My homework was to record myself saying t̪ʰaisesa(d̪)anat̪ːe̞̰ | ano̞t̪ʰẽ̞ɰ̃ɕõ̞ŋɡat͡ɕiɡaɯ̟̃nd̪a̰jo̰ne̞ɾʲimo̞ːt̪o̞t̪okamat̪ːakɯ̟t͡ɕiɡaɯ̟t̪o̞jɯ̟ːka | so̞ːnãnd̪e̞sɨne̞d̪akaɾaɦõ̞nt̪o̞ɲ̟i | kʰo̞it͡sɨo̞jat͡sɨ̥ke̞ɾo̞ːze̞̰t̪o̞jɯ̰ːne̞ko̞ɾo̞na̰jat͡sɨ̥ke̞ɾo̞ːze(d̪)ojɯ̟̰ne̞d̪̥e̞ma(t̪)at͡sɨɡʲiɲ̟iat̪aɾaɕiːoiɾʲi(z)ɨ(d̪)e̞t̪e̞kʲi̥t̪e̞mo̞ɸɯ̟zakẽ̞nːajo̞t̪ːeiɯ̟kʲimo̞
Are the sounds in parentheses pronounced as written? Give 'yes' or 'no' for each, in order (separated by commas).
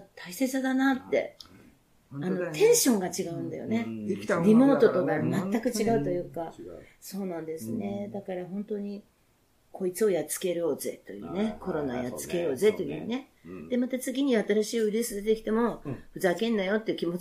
yes, no, yes, no, yes